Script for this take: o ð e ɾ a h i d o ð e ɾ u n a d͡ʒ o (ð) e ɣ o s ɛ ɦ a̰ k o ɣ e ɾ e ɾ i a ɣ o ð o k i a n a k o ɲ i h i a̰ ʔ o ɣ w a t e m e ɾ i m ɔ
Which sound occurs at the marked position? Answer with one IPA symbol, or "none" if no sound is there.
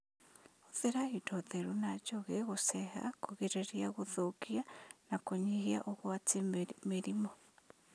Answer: ɣ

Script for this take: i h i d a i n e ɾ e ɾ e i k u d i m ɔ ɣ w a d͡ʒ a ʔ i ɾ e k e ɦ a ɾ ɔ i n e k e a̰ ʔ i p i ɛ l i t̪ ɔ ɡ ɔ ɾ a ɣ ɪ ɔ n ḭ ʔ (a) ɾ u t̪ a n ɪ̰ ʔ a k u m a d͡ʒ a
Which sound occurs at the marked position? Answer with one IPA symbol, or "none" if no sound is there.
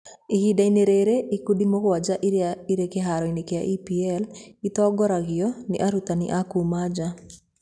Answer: a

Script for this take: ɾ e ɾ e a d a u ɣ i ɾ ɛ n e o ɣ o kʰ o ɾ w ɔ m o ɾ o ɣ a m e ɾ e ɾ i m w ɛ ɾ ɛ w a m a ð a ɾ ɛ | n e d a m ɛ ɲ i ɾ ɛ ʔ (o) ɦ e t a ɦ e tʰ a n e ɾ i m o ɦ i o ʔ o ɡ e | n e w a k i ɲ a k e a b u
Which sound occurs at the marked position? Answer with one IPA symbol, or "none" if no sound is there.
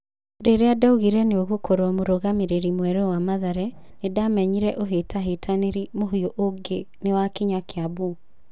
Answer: o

